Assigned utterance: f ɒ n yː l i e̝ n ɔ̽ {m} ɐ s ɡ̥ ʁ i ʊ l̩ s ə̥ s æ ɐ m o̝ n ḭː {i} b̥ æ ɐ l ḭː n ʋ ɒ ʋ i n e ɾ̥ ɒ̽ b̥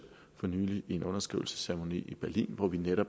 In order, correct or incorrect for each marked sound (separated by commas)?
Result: incorrect, correct